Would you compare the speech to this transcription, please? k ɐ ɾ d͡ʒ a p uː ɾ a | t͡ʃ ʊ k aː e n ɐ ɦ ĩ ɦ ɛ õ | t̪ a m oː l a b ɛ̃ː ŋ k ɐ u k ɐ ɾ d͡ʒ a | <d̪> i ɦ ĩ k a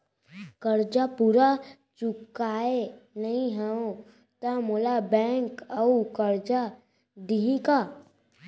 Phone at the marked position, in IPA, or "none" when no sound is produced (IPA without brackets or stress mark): d̪